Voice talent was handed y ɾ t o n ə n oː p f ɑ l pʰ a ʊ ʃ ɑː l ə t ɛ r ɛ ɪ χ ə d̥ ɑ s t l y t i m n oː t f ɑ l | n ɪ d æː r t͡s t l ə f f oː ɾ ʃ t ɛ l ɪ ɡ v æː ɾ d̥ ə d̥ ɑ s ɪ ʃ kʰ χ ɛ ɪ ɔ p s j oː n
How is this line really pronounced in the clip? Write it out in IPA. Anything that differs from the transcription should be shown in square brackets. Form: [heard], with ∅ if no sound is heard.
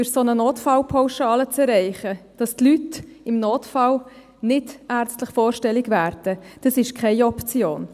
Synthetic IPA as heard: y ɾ [s] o n ə n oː [t] f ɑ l pʰ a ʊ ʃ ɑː l ə [t͡s] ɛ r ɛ ɪ χ ə d̥ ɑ s t l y t [ɪ] m n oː t f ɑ l | n ɪ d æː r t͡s t l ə [χ] f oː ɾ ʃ t ɛ l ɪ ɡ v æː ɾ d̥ ə d̥ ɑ s ɪ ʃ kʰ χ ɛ ɪ ɔ p [t͡s] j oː n

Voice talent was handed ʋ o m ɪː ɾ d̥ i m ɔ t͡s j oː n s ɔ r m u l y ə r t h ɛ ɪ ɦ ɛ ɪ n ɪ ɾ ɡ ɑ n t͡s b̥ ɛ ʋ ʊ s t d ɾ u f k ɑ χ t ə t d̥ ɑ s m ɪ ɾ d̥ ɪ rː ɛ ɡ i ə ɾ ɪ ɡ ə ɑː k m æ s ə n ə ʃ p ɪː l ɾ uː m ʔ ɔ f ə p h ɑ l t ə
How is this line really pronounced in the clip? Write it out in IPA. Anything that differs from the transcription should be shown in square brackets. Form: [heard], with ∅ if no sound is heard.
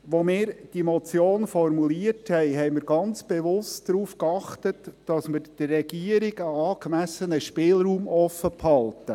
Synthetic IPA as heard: ʋ o m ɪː ɾ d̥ i m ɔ t͡s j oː n [f] ɔ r m u l [i] ə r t h ɛ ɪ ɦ ɛ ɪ [m] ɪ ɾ ɡ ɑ n t͡s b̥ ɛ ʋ ʊ s t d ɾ [uː] f k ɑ χ t ə t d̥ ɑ s m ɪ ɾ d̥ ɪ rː ɛ ɡ i ə ɾ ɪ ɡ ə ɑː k m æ s ə n ə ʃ p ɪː l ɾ uː m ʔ ɔ f ə p h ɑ l t ə

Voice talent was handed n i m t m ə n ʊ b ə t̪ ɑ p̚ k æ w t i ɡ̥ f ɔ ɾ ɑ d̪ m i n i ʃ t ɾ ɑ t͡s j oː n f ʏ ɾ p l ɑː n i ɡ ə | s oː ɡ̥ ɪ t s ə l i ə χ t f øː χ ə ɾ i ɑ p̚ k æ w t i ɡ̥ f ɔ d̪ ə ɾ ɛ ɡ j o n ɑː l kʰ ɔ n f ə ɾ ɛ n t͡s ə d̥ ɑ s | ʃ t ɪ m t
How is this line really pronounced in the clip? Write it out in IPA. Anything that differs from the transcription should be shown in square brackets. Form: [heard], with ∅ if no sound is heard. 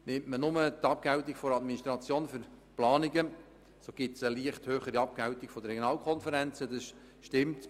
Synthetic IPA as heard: n [ɪ] m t m ə n ʊ [m] ə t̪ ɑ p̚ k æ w t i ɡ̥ f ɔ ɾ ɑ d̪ m i n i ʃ t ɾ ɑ t͡s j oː n f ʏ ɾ p l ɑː n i ɡ ə | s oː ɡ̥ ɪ t s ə l i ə χ t [h] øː χ ə ɾ i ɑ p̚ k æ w t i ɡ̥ f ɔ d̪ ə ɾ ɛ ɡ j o n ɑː l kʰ ɔ n f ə ɾ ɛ n t͡s ə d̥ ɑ s | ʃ t ɪ m t

